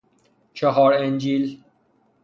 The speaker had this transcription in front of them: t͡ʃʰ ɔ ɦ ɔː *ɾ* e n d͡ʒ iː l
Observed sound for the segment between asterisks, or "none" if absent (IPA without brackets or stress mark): ɾ